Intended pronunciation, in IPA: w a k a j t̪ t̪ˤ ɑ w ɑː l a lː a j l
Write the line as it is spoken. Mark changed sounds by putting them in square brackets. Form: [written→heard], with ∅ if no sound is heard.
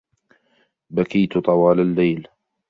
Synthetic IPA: [w→b] a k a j t̪ t̪ˤ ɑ w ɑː l a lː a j l

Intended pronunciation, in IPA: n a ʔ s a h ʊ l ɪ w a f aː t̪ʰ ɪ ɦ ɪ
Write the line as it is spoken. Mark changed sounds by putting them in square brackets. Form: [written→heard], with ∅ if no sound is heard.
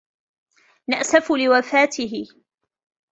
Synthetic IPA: n a ʔ s a [h→f] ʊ l ɪ w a f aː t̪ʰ ɪ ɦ ɪ

